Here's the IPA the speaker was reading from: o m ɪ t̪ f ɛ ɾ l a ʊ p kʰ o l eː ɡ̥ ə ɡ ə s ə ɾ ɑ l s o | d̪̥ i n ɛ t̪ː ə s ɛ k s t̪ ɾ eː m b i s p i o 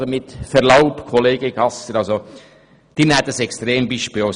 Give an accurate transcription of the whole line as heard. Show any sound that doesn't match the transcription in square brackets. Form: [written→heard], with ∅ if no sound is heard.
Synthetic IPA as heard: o m ɪ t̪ f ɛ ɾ l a ʊ p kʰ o l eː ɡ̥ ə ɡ [ə→ɑ] s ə ɾ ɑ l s o | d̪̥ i n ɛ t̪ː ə s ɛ k s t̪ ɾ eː m b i [s→ʃ] p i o